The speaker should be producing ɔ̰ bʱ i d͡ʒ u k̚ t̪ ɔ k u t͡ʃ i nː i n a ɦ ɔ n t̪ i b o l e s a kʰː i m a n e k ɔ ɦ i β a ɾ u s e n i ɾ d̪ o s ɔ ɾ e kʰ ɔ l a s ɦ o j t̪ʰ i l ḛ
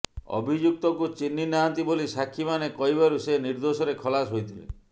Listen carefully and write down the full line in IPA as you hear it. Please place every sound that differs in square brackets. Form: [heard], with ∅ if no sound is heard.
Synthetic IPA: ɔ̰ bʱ i d͡ʒ u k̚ t̪ ɔ k u t͡ʃ i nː i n a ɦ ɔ n t̪ i b o l [i] s a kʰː i m a n e k ɔ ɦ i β a ɾ u s e n i ɾ d̪ o s ɔ ɾ e kʰ ɔ l a s ɦ o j t̪ʰ i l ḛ